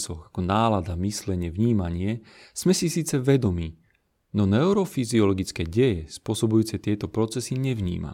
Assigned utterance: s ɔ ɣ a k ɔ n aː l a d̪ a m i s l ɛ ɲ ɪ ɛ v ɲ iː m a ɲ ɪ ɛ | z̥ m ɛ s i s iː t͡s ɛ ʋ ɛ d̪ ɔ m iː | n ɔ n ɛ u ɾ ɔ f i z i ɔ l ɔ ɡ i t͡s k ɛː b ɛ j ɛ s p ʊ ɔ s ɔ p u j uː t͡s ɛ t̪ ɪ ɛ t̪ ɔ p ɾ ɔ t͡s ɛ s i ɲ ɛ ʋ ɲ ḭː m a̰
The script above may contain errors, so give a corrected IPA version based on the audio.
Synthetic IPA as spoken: s ɔ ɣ a k ɔ n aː l a d̪ a m i s l ɛ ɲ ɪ ɛ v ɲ iː m a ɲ ɪ ɛ | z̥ m ɛ s i s iː t͡s ɛ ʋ ɛ d̪ ɔ m iː | n ɔ n ɛ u ɾ ɔ f i z i ɔ l ɔ ɡ i t͡s k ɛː ɟ ɛ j ɛ s p ʊ ɔ s ɔ b u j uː t͡s ɛ t̪ ɪ ɛ t̪ ɔ p ɾ ɔ t͡s ɛ s i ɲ ɛ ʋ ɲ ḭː m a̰